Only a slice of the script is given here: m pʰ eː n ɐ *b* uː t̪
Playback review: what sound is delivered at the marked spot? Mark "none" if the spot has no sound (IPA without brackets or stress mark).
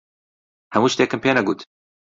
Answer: ɡ